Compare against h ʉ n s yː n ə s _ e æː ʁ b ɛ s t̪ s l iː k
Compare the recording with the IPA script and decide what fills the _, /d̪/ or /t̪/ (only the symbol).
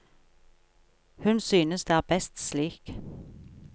d̪